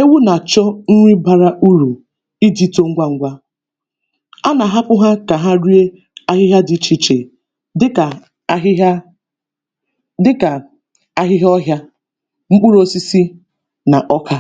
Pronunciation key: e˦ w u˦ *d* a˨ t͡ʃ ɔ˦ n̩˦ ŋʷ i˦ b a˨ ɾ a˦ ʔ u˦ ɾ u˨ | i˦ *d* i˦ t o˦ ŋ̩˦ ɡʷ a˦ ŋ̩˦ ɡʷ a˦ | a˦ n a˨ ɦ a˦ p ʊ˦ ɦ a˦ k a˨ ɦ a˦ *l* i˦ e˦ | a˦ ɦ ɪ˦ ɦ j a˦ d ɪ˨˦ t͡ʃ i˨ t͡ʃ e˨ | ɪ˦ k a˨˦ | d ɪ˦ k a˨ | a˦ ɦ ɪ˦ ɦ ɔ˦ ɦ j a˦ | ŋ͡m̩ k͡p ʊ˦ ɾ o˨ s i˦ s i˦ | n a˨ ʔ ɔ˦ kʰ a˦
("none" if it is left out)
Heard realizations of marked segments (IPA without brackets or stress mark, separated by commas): n, d, ɾ